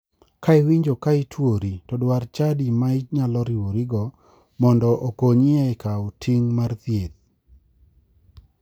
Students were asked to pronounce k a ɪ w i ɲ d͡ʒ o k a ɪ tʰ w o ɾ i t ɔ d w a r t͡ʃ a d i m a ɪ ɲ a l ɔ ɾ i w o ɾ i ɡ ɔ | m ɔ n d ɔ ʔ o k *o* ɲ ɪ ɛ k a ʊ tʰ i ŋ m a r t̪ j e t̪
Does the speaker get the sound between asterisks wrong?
no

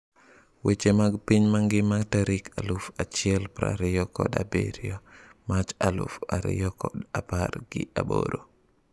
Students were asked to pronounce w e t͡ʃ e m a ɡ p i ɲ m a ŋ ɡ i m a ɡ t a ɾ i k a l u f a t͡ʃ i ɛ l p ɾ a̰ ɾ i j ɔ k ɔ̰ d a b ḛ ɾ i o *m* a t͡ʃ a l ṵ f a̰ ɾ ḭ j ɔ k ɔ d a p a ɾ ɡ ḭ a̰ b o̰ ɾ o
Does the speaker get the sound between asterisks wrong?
no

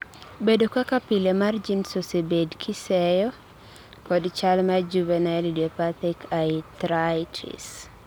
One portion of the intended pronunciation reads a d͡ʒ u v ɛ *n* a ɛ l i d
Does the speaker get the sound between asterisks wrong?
no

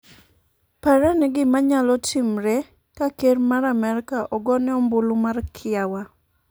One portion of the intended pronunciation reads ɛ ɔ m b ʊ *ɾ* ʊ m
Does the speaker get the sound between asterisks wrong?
yes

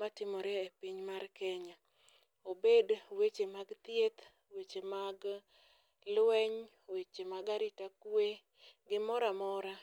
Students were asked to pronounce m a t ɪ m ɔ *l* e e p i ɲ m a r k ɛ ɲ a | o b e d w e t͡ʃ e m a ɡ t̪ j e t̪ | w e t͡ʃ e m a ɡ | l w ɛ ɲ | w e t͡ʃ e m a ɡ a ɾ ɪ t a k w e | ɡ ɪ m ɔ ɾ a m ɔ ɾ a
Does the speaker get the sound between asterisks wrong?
yes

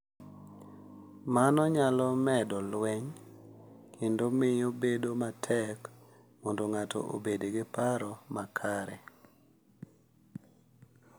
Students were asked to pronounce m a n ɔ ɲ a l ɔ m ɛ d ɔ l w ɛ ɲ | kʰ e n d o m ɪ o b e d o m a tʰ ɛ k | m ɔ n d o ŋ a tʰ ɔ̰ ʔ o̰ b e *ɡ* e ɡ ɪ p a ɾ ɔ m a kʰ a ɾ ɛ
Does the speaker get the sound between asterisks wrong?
yes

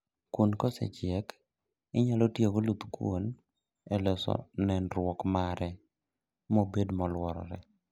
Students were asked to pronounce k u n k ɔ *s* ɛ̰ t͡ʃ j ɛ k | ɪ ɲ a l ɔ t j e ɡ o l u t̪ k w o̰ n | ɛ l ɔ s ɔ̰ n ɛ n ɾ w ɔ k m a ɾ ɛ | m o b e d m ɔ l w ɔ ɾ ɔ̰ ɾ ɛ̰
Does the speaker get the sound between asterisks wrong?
no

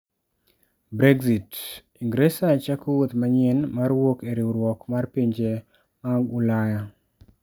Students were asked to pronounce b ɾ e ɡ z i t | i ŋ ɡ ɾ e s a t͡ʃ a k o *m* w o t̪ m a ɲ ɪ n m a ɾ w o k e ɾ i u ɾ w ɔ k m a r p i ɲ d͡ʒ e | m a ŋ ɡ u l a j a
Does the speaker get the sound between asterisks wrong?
yes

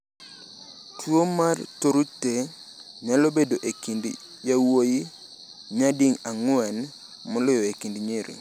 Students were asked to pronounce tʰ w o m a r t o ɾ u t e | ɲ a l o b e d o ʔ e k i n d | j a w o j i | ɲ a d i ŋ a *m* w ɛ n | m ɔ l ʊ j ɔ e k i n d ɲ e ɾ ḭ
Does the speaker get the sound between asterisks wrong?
yes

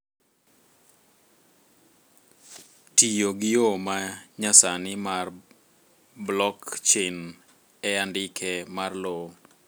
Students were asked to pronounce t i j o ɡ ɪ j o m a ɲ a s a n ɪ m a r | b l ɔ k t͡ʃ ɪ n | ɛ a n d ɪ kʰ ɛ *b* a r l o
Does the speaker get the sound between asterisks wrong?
yes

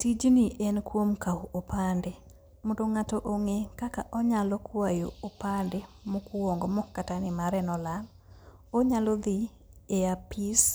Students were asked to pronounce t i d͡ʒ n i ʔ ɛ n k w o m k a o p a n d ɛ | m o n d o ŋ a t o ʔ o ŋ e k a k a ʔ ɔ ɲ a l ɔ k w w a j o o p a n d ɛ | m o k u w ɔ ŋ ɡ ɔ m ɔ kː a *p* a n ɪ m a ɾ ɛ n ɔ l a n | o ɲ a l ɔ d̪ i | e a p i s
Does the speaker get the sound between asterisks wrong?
yes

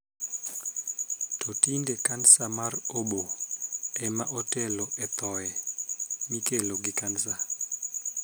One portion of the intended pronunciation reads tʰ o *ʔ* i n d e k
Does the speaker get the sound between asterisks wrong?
yes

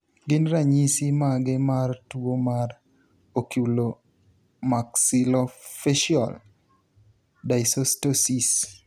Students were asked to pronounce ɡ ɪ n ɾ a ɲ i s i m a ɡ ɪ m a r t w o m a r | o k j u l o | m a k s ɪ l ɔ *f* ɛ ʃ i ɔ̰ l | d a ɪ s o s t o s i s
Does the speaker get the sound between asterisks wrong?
no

